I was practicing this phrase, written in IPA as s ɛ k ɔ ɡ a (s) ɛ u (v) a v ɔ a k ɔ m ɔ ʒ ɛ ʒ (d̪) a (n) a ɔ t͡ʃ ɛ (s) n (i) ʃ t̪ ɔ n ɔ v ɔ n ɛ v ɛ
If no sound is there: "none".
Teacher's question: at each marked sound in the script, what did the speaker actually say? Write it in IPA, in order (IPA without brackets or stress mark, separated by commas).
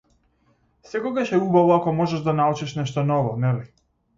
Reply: ʃ, b, d̪, n, ʃ, ɛ